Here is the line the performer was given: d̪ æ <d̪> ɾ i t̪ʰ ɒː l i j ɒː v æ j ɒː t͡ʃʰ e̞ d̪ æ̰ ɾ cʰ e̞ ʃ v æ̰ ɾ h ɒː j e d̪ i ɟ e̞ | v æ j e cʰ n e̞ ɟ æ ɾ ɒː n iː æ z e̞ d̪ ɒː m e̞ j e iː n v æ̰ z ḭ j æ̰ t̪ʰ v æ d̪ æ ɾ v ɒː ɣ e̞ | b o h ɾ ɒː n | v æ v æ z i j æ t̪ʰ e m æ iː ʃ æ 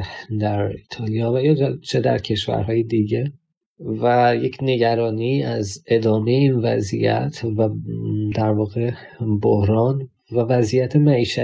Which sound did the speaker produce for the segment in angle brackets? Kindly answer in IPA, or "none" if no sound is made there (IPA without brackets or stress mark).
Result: none